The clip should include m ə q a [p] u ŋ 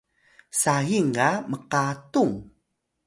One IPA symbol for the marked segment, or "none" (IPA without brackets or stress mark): t